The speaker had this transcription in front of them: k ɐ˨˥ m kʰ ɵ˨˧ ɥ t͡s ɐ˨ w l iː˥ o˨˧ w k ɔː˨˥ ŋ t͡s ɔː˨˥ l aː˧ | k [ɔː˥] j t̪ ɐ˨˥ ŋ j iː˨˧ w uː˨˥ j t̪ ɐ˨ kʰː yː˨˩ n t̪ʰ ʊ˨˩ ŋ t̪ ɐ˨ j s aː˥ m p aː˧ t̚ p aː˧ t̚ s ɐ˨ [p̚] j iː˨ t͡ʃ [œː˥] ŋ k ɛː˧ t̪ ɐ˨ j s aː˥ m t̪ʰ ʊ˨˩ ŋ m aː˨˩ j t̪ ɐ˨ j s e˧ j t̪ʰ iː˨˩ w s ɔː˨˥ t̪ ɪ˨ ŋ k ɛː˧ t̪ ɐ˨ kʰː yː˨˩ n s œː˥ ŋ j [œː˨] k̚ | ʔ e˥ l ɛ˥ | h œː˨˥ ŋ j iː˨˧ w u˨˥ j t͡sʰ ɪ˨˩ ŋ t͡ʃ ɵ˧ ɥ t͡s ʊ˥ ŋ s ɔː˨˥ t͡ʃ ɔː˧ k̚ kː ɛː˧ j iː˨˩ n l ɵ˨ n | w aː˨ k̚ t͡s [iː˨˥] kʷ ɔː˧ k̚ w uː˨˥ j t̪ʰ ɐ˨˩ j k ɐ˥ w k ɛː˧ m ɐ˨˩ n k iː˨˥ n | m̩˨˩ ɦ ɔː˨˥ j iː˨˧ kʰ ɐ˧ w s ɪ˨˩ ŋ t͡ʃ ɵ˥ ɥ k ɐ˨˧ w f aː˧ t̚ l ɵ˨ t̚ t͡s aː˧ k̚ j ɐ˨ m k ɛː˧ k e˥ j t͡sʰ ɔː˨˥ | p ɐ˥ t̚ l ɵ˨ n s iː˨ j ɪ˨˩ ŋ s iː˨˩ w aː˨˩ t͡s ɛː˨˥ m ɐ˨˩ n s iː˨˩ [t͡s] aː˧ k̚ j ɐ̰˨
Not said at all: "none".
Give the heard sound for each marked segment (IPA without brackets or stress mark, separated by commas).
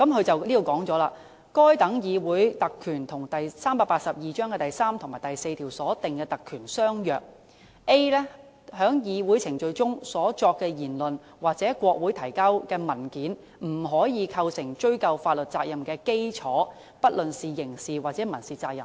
ɔː˥, p̚, œː˥, œː˨, ɛː˨˥, t͡s